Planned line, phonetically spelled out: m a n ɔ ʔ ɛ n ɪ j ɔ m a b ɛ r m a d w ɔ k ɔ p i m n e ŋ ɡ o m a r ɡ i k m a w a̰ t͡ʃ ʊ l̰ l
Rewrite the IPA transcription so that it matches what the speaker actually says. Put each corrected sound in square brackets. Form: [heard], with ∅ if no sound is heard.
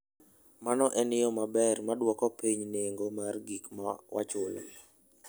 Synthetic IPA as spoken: m a n ɔ ʔ ɛ n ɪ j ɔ m a b ɛ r m a d w ɔ k ɔ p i [ɲ] n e ŋ ɡ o m a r ɡ i k m a w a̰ t͡ʃ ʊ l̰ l

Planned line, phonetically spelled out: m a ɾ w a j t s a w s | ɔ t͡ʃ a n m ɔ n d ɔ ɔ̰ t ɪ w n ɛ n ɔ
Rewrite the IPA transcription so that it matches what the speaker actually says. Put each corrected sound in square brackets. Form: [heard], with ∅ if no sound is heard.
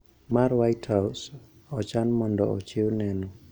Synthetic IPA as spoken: m a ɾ w a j t [h] a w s | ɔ t͡ʃ a n m ɔ n d ɔ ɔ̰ [t͡ʃ] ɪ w n ɛ n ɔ

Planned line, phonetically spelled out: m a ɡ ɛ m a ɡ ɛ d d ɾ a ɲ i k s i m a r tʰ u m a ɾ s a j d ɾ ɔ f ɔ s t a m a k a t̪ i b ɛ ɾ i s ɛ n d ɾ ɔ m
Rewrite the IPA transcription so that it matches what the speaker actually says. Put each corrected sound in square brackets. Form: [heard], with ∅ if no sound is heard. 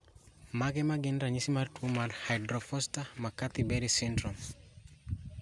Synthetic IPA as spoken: m a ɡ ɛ m a ɡ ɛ [n] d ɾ a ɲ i [∅] s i m a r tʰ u m a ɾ [h] a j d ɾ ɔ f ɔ s t a m a k a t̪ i b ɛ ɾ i s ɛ n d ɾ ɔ m

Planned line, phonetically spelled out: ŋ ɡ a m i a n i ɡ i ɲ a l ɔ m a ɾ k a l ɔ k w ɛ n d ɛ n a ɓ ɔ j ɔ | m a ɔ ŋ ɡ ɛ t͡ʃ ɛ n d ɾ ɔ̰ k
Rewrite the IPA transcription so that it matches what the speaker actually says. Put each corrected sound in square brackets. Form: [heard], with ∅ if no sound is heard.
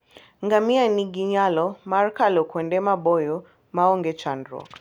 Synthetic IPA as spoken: ŋ ɡ a m i a n i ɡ i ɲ a l ɔ m a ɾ k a l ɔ k w ɛ n d ɛ [m] a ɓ ɔ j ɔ | m a ɔ ŋ ɡ ɛ t͡ʃ [a] n d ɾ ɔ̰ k

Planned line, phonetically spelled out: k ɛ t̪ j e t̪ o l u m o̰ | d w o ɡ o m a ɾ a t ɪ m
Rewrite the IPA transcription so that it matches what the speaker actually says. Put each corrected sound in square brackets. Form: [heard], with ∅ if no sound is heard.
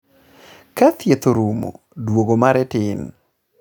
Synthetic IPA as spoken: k [a] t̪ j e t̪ o [ɾ] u m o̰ | d w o ɡ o m a ɾ [ɛ] t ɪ [n]

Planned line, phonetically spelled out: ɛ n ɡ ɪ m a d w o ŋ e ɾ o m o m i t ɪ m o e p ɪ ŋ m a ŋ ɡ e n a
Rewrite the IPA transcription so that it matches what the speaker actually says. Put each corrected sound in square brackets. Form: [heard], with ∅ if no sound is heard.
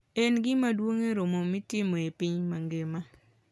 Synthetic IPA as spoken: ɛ n ɡ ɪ m a d w o ŋ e ɾ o m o m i t ɪ m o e p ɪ [ɲ] m a ŋ ɡ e [m] a

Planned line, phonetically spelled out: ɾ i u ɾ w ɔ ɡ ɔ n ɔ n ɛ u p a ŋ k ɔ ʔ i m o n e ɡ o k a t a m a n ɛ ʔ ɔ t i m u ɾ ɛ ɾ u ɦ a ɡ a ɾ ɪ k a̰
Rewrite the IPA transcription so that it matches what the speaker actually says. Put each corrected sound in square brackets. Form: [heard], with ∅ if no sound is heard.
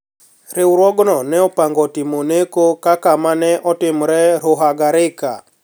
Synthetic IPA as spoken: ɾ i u ɾ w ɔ ɡ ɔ n ɔ n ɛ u p a ŋ [ɡ] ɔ [t] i m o n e [k] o k a [k] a m a n ɛ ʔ ɔ t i m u ɾ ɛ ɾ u ɦ a ɡ a ɾ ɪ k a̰

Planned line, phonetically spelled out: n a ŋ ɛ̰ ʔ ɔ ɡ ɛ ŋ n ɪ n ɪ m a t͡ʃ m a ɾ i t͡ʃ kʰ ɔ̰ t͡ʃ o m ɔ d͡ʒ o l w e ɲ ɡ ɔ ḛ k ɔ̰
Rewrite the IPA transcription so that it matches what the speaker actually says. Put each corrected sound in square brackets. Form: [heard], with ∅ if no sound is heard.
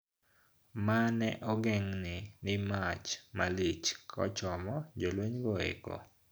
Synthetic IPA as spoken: [m] a [n] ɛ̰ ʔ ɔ ɡ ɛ ŋ n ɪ n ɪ m a t͡ʃ m a [l] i t͡ʃ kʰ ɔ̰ t͡ʃ [ɔ] m ɔ d͡ʒ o l w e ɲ ɡ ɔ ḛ k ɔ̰

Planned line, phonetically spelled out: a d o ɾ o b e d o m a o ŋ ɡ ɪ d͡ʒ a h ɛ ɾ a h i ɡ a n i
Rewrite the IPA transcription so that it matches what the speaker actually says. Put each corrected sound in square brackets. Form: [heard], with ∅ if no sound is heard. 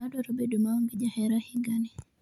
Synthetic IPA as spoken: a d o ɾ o b e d o m a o ŋ ɡ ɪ d͡ʒ a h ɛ ɾ a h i ɡ a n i

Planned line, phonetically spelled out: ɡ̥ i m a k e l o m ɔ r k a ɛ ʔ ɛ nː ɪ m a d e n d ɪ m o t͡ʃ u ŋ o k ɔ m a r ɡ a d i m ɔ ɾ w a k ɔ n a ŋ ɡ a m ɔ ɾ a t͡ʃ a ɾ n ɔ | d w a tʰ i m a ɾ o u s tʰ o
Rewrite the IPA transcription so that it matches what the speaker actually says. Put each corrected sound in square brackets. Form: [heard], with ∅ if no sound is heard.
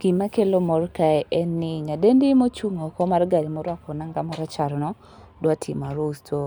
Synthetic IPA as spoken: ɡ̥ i m a k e l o m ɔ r k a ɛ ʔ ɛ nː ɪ [ɲ] a d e n d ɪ m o t͡ʃ u ŋ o k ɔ m a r ɡ a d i m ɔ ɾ w a k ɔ n a ŋ ɡ a m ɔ ɾ a t͡ʃ a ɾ n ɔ | d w a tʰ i m a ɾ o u s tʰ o

